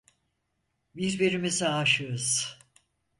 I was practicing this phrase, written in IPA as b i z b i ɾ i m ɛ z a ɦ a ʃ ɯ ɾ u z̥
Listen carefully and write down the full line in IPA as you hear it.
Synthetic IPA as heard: b i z b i ɾ i m i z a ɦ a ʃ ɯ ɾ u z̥